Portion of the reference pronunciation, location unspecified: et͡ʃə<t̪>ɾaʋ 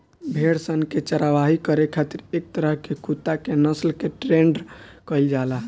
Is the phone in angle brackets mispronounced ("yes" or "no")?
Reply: yes